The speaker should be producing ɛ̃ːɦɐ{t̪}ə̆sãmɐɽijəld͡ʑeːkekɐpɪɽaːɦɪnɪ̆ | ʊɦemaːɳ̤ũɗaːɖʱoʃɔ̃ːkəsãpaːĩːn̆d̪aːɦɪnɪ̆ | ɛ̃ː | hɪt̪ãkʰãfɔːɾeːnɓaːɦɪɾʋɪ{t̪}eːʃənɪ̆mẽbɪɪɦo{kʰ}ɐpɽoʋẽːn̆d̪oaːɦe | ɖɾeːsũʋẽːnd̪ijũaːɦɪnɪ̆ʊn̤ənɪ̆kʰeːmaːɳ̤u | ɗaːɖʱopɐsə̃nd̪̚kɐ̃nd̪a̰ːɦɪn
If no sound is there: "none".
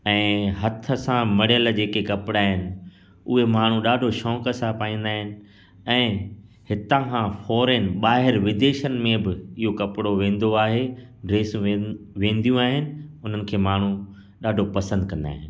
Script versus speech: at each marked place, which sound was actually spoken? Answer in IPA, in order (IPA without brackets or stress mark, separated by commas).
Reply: t̪ʰ, d̪, k